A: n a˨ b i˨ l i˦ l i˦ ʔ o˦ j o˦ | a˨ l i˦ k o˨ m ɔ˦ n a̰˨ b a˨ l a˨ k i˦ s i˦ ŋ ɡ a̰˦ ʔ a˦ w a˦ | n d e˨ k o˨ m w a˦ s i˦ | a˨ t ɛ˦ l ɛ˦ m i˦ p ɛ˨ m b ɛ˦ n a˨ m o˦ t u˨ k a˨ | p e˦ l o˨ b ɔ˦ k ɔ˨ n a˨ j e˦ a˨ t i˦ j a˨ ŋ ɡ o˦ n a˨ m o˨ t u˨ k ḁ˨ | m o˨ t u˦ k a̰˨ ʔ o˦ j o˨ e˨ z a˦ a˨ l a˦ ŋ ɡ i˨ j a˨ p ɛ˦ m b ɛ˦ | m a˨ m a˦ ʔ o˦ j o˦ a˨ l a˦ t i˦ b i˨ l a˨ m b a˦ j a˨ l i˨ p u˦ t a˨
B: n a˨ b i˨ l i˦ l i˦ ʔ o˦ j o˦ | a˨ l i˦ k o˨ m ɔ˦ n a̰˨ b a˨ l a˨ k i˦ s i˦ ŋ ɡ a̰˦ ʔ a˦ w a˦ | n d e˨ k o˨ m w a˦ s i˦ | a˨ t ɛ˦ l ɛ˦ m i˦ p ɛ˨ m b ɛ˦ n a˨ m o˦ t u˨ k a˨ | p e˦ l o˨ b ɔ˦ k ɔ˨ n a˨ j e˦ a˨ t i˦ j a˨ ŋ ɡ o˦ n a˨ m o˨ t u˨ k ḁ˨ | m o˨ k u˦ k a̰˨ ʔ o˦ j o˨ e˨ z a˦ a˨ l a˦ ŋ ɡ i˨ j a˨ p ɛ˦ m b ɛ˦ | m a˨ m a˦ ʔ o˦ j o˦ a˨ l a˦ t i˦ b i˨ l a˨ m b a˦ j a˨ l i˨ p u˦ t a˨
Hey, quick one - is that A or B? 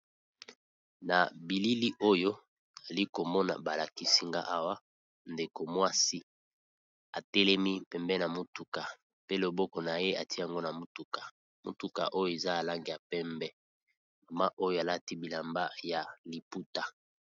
A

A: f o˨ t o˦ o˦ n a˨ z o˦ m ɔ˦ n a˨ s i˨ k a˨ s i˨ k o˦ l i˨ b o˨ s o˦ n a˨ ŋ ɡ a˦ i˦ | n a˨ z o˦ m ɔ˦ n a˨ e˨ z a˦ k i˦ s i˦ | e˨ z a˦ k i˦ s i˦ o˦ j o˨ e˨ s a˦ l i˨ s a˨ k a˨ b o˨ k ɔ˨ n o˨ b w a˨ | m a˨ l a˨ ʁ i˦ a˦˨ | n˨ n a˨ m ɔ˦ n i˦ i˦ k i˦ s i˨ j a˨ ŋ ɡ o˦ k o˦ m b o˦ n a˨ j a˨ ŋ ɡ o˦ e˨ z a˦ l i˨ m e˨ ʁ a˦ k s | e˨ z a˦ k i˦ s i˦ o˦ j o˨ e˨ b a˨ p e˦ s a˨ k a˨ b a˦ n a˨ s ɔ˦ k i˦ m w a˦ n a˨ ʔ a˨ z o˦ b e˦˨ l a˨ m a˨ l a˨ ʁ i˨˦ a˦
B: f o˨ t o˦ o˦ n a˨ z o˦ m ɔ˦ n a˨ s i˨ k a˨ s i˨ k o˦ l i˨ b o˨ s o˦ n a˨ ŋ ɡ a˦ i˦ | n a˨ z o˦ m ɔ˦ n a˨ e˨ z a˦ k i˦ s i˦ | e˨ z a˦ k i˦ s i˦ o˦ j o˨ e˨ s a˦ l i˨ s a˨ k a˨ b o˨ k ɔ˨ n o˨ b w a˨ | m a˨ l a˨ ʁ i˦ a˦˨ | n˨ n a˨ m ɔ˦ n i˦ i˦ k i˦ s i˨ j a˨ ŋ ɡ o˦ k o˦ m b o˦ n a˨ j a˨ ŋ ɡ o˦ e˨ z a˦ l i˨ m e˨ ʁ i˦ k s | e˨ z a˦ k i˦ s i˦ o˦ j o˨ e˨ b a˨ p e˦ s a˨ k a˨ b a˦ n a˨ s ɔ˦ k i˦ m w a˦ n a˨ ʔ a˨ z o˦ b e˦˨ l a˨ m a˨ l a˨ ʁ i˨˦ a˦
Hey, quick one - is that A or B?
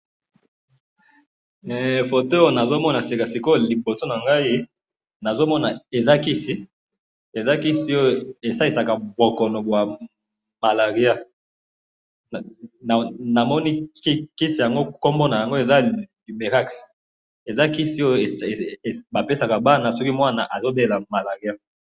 A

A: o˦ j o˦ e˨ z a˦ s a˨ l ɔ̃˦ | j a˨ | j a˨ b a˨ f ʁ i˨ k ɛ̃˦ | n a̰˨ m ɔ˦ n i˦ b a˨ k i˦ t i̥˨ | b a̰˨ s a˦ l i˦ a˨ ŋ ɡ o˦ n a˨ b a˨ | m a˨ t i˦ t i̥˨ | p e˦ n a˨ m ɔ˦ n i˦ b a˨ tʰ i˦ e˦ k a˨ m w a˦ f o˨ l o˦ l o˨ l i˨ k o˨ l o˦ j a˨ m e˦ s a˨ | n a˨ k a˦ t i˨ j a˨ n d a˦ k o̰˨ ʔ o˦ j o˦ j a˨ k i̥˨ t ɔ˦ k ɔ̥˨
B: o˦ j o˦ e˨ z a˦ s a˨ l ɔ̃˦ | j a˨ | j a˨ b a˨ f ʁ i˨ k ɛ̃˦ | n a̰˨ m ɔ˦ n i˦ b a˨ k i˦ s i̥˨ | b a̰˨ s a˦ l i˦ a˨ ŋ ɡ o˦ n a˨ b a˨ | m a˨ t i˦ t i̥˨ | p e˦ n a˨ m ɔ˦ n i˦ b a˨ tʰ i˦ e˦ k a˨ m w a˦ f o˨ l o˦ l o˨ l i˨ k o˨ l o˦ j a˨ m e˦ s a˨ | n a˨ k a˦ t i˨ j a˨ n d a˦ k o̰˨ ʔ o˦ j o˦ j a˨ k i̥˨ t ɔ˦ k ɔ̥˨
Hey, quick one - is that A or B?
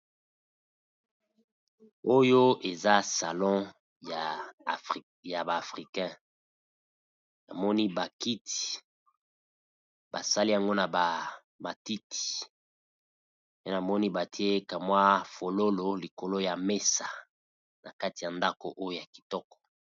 A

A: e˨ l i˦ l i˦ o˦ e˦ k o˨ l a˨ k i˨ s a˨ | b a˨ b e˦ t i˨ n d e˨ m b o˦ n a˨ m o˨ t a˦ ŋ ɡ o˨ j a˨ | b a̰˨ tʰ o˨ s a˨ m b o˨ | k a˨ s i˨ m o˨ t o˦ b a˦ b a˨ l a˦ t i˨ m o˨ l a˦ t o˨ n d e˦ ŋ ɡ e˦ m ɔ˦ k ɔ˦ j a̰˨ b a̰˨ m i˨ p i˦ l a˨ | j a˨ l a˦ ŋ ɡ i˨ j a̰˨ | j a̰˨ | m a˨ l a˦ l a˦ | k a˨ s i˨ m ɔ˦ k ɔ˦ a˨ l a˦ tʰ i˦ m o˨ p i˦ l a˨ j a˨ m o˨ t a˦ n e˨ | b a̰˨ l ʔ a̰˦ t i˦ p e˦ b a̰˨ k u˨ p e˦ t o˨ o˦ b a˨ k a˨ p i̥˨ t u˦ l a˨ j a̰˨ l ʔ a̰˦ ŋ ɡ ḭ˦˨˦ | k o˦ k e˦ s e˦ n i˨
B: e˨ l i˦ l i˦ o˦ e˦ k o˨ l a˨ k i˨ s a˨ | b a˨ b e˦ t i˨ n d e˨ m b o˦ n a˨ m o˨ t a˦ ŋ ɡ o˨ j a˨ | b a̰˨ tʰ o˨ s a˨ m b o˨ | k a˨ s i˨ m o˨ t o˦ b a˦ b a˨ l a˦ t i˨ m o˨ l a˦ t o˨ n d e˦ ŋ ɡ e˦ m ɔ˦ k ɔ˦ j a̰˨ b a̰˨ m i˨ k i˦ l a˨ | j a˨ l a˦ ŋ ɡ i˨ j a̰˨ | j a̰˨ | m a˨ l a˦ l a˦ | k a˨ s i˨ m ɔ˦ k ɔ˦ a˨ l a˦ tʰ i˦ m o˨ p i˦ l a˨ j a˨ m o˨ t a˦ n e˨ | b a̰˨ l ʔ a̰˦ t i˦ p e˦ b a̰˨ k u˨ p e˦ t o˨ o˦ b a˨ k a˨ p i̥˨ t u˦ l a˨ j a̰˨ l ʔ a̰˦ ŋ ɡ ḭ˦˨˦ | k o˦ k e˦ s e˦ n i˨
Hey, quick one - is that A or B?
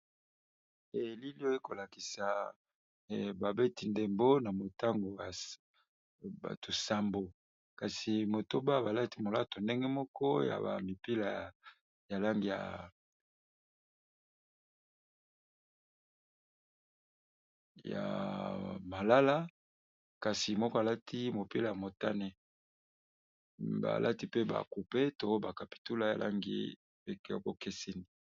A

